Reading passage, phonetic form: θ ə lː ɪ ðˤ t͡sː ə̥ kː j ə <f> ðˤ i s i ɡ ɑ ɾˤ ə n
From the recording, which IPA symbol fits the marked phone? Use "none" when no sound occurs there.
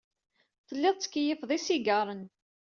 f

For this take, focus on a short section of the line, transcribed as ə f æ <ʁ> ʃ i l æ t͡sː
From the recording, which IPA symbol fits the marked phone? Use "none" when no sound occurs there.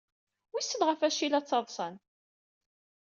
none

